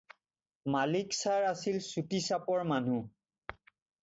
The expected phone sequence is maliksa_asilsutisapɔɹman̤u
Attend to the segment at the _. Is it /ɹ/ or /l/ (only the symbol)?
ɹ